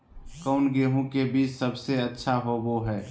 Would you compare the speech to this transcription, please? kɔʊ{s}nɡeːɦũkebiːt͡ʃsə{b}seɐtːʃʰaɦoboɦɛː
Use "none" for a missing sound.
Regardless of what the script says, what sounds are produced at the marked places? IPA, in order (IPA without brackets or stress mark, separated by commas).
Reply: none, b